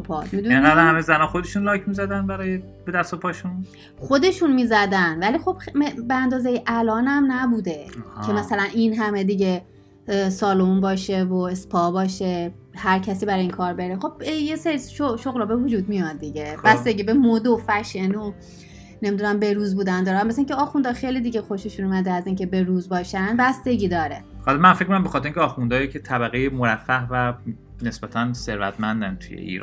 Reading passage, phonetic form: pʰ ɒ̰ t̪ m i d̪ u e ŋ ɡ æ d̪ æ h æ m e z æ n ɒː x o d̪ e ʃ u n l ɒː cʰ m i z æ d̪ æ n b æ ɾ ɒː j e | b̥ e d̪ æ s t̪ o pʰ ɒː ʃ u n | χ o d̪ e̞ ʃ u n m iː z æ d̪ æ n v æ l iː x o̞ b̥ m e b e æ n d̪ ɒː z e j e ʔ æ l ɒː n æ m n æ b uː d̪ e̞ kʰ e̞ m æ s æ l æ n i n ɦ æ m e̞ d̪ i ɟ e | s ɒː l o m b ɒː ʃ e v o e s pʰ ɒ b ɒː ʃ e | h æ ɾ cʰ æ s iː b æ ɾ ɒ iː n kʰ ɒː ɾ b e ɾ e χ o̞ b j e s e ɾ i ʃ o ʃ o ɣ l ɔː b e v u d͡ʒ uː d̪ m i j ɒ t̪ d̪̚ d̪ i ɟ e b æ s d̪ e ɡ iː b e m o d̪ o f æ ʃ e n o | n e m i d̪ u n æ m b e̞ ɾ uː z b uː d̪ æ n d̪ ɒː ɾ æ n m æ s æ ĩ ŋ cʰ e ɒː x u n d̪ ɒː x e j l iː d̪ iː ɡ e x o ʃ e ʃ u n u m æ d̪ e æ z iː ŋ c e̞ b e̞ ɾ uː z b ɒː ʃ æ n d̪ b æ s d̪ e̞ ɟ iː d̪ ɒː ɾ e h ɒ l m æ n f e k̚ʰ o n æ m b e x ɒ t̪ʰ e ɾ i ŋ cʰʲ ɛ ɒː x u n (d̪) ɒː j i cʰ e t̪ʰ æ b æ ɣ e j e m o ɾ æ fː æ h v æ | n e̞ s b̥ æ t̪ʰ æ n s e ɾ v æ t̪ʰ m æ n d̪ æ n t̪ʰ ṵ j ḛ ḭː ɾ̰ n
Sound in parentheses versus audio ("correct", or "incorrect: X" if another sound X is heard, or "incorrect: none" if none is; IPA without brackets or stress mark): correct